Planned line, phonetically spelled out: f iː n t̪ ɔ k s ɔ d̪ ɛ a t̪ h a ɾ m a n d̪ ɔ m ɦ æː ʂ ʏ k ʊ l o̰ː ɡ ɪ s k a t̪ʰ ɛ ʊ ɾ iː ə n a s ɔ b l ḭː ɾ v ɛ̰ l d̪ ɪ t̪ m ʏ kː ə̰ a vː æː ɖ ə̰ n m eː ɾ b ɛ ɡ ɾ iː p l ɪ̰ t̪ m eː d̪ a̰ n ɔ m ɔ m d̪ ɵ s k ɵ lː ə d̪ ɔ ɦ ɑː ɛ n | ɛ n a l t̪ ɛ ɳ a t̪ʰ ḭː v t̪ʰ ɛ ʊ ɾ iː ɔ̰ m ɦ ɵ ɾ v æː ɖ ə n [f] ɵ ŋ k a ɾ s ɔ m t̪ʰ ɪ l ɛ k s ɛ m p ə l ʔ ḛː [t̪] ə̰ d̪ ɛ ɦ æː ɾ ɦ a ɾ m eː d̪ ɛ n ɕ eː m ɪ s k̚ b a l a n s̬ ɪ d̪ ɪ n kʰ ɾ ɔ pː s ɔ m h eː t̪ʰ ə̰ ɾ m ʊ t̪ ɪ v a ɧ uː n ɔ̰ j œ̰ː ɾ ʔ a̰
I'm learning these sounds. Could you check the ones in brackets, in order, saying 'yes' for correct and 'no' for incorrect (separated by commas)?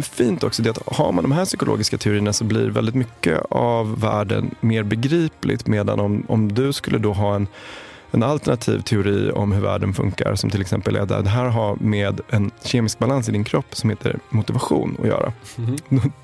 yes, no